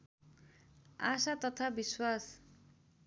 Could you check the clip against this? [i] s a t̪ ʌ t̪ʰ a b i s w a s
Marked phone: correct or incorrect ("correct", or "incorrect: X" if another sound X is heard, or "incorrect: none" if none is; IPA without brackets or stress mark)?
incorrect: a